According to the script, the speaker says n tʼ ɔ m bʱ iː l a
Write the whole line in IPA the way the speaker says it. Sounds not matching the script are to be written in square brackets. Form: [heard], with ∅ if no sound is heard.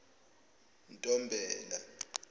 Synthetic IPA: n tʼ ɔ m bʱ [ɛː] l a